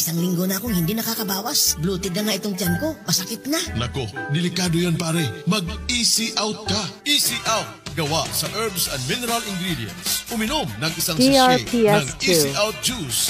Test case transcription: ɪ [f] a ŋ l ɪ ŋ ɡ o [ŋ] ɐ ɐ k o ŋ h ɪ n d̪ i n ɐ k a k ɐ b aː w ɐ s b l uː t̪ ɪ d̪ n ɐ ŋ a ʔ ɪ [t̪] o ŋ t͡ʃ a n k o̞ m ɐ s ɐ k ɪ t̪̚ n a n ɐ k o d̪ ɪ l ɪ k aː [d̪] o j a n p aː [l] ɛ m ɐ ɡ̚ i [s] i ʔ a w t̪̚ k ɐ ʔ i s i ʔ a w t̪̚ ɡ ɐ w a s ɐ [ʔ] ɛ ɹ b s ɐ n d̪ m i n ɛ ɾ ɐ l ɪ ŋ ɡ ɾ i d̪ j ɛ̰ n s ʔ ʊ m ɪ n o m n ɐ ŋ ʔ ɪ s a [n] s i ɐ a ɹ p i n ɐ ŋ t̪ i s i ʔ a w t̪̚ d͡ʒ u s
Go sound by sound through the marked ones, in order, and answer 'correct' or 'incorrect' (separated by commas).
incorrect, incorrect, correct, correct, incorrect, correct, correct, incorrect